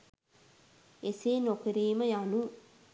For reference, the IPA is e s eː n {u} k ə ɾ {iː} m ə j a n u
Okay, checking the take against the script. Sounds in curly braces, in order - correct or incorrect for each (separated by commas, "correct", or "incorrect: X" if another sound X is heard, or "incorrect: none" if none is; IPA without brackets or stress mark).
incorrect: o, correct